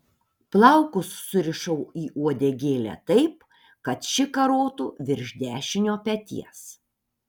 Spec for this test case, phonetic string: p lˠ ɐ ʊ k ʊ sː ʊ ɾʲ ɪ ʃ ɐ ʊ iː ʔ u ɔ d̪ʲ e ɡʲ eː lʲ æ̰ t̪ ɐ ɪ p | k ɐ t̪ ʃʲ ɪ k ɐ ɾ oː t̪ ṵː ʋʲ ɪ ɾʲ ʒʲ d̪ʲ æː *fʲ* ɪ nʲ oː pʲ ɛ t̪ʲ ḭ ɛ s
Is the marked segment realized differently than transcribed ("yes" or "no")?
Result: yes